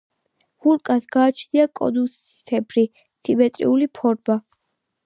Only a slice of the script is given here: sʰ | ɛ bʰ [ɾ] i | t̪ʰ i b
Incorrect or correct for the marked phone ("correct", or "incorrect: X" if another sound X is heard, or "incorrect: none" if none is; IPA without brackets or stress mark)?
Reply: correct